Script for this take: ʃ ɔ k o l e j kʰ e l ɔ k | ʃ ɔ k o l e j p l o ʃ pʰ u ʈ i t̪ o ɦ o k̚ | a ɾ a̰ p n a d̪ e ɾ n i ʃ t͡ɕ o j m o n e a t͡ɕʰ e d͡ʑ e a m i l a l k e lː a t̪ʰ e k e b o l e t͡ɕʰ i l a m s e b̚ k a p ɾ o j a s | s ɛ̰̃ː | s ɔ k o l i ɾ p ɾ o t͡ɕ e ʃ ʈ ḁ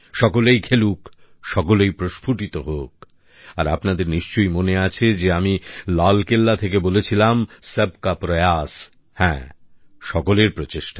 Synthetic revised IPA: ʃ ɔ k o l e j kʰ e l u k | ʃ ɔ k o l e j p ɾ o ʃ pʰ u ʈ i t̪ o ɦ o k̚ | a ɾ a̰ p n a d̪ e ɾ n i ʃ t͡ɕ o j m o n e a t͡ɕʰ e d͡ʑ e a m i l a l k e lː a t̪ʰ e k e b o l e t͡ɕʰ i l a m s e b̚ k a p ɾ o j a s | h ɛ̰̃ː | ʃ ɔ k o l e ɾ p ɾ o t͡ɕ e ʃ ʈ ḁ